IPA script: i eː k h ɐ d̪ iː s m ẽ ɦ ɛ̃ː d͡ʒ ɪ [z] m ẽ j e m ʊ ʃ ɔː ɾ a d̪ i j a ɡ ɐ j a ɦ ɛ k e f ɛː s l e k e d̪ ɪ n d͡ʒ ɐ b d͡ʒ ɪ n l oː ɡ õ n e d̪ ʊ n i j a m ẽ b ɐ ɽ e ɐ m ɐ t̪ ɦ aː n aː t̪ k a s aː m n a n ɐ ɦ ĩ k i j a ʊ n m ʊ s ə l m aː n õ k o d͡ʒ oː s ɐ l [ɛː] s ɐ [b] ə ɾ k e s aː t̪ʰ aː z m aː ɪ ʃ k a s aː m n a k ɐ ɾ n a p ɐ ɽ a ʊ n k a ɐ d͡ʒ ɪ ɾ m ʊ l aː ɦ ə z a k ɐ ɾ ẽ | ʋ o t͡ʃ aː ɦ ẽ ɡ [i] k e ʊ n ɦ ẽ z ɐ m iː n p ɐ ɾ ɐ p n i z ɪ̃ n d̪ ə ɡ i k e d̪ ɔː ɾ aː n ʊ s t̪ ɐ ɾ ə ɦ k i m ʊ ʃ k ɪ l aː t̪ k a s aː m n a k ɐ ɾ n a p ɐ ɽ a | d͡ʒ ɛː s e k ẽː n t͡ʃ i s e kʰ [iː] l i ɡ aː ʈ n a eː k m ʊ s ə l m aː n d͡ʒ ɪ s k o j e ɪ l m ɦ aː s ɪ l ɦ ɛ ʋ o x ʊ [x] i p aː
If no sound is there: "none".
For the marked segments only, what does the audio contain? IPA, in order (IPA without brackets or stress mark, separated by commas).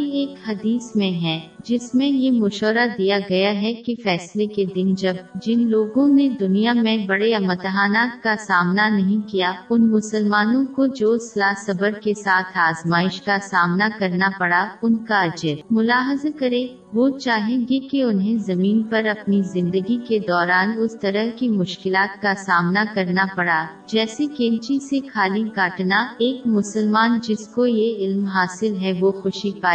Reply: s, aː, b, e, aː, ʃ